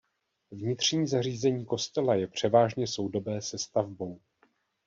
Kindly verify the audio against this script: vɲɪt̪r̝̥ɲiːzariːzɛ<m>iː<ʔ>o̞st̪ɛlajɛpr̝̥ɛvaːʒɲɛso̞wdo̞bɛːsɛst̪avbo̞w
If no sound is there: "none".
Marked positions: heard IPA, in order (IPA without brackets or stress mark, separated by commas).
ɲ, k